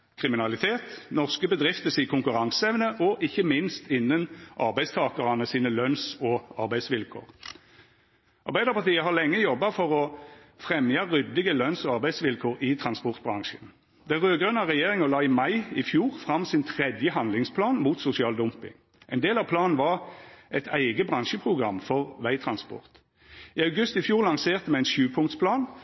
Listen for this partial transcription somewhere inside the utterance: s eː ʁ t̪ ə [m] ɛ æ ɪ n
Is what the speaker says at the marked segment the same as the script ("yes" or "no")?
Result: yes